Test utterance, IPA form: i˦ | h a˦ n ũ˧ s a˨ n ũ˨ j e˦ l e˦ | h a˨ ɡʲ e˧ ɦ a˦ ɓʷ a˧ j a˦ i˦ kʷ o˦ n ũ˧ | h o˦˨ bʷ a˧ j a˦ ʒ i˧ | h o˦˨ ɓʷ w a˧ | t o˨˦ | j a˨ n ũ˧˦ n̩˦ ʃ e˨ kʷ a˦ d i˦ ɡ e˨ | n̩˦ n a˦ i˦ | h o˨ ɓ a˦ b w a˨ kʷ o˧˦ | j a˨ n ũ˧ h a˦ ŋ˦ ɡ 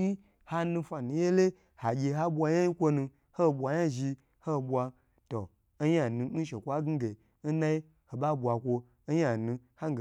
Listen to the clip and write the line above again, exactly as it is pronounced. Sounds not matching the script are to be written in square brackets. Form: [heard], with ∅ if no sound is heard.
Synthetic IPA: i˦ | h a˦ n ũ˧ [f] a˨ n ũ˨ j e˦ l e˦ | h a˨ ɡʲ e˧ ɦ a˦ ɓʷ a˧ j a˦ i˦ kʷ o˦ n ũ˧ | h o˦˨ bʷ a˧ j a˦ ʒ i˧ | h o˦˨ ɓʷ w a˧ | t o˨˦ | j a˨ n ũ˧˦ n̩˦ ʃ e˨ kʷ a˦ [ɡ] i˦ ɡ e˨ | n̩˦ n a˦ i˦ | h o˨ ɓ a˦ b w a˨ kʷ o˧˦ | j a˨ n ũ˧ h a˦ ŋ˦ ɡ